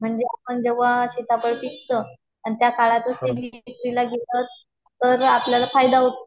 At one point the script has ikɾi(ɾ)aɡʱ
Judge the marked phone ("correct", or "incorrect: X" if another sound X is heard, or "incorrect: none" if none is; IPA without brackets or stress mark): incorrect: l